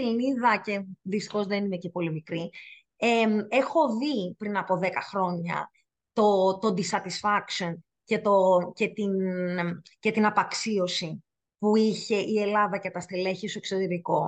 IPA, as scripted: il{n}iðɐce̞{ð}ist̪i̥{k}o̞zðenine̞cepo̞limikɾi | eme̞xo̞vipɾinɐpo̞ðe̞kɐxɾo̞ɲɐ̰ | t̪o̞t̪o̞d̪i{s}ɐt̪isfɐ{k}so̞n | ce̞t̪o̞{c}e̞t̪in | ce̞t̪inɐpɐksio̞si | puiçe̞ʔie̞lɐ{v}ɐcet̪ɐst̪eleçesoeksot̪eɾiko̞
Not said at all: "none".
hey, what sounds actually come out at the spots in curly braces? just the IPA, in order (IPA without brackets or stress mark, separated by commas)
n, ð, x, s, k, c, ð